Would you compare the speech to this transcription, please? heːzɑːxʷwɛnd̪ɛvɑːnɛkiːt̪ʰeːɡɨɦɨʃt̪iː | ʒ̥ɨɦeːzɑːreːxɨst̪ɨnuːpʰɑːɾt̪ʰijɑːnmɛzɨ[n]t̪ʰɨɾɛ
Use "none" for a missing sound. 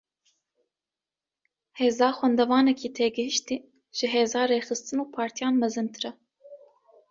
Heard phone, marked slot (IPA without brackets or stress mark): n